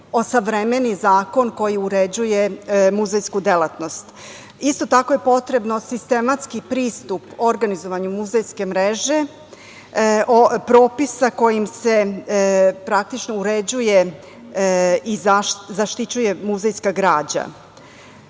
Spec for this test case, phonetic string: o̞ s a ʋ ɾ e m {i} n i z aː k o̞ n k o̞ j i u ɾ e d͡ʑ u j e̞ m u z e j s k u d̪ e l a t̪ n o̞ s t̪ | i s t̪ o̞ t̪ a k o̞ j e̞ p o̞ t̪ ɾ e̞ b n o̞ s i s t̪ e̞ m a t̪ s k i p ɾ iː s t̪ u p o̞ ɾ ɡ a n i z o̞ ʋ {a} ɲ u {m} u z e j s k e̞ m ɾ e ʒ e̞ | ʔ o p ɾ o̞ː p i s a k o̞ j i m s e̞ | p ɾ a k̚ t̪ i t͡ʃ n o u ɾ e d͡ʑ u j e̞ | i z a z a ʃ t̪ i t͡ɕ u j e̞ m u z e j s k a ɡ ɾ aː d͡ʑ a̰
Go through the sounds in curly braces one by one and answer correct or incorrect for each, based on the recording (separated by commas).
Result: incorrect, correct, correct